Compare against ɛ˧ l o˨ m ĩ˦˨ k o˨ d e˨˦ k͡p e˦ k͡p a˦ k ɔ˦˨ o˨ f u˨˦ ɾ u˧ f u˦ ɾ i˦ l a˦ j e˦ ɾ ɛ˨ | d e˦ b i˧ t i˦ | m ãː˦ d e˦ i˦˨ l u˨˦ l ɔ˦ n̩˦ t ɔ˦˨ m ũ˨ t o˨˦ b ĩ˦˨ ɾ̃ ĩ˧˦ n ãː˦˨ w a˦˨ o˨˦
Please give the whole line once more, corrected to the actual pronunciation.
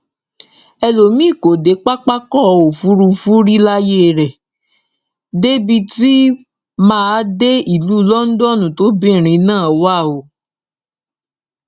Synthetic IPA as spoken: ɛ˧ l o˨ m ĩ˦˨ k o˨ d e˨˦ k͡p a˦ k͡p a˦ k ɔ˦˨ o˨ f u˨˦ ɾ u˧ f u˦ ɾ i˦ l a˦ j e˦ ɾ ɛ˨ | d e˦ b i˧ t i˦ | m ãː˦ d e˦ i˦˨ l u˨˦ l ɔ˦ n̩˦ d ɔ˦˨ n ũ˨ t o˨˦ b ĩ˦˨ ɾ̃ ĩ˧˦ n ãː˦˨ w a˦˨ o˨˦

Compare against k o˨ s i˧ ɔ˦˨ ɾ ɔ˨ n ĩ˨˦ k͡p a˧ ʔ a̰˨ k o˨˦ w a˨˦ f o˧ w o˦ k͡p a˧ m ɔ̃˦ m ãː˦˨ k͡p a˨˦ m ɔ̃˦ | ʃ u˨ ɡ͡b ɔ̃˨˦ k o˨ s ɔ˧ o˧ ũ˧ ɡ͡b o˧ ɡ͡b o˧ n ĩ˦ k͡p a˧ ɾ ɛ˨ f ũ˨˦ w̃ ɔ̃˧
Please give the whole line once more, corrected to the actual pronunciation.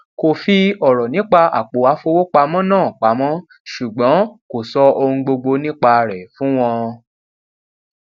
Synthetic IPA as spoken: k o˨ f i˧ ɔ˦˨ ɾ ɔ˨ n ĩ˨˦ k͡p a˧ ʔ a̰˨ k͡p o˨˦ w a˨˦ f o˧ w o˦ k͡p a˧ m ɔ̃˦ n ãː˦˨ k͡p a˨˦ m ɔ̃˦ | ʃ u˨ ɡ͡b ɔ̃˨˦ k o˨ s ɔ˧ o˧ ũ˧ ɡ͡b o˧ ɡ͡b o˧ n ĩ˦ k͡p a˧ ɾ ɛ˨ f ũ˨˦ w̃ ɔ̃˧

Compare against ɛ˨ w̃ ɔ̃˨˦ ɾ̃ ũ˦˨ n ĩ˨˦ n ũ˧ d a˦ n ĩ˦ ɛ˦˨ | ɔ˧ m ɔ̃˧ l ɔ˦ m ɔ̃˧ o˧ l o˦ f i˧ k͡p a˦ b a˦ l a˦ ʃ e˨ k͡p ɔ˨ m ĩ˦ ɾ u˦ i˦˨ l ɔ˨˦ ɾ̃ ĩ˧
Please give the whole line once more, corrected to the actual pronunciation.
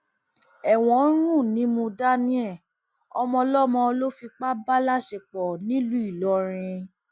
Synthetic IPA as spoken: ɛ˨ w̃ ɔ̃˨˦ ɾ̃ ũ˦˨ n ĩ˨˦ m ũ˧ d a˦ n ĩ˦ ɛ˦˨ | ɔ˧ m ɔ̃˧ l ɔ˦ m ɔ̃˧ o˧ l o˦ f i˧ k͡p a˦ b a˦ l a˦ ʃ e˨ k͡p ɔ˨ n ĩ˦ l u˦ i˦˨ l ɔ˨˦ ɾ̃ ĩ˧

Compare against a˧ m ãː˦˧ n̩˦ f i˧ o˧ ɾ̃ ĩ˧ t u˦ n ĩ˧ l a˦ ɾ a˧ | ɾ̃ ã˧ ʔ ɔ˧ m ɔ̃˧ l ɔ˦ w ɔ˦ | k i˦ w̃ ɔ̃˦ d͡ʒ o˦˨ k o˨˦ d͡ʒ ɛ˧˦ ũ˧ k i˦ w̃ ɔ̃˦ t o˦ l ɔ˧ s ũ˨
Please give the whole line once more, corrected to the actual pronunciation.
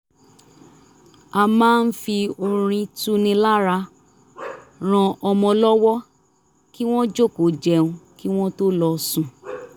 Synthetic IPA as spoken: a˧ m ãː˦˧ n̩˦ f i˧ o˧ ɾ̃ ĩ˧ t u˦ n ĩ˧ l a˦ ɾ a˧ | ɾ̃ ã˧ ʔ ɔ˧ m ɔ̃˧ l ɔ˦ w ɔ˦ | k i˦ w̃ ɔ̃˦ d͡ʒ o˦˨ k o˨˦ d͡ʒ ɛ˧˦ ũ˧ k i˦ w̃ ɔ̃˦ t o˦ l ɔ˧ s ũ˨

